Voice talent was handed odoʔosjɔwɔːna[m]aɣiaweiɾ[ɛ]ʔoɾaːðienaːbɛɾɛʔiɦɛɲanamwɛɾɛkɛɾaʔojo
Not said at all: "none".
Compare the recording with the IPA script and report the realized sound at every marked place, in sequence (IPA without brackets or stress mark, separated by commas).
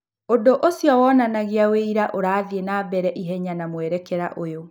n, a